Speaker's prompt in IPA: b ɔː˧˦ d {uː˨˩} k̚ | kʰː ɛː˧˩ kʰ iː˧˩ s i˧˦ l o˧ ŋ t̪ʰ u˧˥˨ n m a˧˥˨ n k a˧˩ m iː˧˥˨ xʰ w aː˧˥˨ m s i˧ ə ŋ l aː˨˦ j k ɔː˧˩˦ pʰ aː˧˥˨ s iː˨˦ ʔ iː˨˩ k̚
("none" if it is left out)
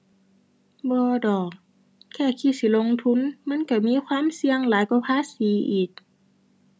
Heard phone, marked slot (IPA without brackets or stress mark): ɔː˨˩